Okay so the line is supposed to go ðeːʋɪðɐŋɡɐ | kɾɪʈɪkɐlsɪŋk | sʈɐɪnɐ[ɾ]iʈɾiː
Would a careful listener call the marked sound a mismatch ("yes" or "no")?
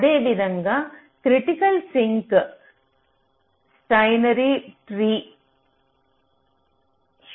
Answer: no